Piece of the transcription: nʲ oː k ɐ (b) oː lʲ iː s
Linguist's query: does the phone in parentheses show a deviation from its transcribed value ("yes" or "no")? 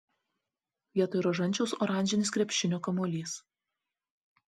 yes